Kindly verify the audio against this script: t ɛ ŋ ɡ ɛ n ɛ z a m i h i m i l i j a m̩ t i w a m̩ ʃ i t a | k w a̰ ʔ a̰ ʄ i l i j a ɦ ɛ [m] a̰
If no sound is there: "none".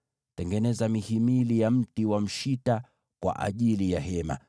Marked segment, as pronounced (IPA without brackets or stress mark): m